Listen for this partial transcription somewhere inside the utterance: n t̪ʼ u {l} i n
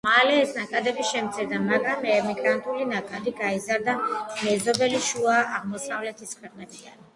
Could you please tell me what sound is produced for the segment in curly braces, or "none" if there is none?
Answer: l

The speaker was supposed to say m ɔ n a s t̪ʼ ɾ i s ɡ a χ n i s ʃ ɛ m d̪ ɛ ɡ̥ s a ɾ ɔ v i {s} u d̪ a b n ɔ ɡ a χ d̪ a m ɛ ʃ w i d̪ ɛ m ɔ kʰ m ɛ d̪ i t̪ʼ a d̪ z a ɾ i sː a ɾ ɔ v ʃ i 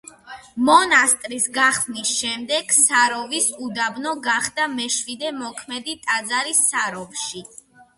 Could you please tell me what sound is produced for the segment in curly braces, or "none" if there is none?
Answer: s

